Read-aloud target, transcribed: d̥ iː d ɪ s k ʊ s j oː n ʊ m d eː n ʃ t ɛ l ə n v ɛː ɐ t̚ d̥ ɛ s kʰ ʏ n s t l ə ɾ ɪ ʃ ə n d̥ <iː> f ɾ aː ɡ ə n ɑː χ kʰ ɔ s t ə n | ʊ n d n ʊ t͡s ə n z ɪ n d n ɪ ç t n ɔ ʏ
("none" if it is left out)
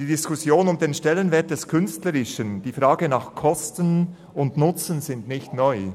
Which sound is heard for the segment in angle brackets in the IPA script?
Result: iː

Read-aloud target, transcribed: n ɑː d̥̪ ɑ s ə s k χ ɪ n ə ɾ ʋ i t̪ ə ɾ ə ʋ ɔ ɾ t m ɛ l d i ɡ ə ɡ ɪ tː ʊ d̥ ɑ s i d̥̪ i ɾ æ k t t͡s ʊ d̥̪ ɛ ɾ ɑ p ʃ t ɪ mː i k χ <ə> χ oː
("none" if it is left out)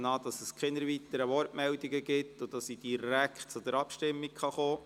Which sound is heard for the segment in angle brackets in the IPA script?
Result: ɑ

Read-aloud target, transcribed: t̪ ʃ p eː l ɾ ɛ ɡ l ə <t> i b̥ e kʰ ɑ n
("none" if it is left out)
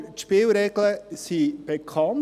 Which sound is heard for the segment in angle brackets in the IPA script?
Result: s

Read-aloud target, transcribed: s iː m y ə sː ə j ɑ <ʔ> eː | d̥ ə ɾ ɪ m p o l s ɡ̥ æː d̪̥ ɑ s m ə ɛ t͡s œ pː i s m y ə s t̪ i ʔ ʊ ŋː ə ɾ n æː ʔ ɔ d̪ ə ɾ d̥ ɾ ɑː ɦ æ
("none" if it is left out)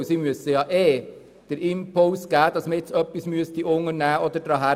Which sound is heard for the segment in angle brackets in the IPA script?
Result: ʔ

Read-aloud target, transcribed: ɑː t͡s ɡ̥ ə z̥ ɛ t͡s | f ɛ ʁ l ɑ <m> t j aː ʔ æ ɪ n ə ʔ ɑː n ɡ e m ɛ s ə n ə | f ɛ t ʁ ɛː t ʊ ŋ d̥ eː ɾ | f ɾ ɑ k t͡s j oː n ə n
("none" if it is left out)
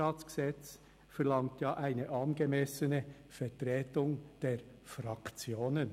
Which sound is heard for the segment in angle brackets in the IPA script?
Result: ŋ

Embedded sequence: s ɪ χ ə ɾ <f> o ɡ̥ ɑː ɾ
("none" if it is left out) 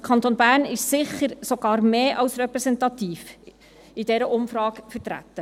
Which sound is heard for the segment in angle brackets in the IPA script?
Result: s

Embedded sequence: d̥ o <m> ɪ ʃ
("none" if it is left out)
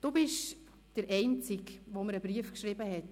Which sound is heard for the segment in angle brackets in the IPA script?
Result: b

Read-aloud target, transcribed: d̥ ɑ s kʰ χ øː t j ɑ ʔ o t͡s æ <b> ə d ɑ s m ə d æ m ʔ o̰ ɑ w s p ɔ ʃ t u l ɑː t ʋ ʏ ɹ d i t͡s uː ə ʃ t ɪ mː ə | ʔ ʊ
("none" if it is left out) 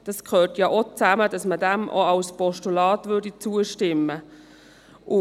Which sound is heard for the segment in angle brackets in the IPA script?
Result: m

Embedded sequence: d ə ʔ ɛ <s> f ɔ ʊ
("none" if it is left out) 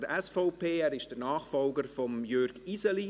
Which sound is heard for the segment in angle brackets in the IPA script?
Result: s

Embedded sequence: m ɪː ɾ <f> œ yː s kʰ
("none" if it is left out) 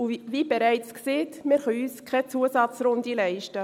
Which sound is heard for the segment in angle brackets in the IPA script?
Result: χ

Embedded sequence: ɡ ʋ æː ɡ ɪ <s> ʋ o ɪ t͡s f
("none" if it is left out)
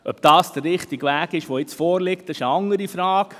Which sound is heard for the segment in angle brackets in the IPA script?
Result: ʃ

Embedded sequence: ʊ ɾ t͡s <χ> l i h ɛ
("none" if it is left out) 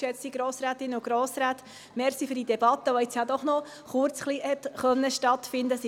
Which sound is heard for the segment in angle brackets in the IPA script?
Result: χ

